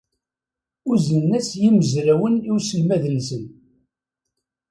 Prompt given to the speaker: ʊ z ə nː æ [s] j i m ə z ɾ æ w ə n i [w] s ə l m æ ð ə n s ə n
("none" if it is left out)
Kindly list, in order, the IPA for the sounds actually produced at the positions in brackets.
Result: s, w

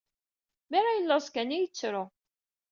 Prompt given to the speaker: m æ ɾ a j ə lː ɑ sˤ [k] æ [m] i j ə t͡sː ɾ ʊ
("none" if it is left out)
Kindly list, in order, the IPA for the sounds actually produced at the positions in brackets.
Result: k, n

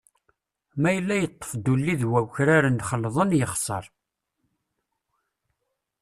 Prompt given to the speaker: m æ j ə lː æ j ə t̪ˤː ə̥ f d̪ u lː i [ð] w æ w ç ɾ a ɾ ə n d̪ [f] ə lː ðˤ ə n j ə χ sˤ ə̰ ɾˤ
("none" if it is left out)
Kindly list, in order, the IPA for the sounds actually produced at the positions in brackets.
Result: ð, χ

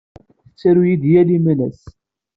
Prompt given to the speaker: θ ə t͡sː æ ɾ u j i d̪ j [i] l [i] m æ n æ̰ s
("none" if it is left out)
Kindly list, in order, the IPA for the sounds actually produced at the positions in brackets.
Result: æ, i

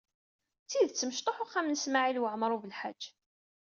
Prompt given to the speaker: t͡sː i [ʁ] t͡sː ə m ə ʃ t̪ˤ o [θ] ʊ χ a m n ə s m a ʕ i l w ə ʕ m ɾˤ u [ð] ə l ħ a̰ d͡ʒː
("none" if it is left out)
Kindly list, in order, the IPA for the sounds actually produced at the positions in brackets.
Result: ð, ħ, v

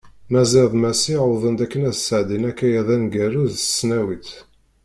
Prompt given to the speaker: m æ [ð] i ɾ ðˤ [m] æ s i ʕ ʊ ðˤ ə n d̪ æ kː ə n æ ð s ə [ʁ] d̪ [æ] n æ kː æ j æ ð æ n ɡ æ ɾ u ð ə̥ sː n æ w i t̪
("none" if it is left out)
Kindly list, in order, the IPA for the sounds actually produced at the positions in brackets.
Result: z, m, ʕ, i

